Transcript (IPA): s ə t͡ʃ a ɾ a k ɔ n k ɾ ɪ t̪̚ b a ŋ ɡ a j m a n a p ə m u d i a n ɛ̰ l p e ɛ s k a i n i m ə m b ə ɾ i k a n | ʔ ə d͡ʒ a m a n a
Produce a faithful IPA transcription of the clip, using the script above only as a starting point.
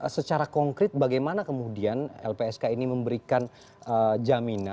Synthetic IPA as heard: s ə t͡ʃ a ɾ a k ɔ ŋ k ɾ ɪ t̪̚ b a ɡ a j m a n a k ə m u d i a n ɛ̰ l p e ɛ s k a i n i m ə m b ə ɾ i k a n | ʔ ə d͡ʒ a m i n a